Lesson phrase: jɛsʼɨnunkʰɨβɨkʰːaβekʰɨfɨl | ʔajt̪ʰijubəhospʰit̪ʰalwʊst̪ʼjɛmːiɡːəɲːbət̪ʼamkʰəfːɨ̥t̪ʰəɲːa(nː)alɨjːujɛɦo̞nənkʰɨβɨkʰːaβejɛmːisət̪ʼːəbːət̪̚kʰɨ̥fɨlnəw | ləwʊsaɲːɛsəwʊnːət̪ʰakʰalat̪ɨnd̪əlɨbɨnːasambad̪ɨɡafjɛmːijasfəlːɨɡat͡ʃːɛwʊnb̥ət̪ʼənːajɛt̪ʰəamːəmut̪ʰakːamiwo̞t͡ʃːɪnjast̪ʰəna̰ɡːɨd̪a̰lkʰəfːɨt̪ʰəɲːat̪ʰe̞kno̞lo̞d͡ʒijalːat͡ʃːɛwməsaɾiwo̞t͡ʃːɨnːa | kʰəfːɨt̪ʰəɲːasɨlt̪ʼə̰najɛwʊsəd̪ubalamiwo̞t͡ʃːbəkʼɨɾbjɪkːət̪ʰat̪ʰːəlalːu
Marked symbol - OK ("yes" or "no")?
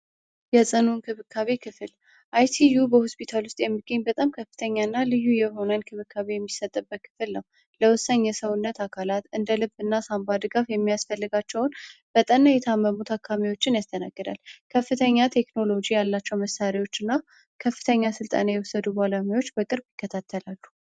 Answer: yes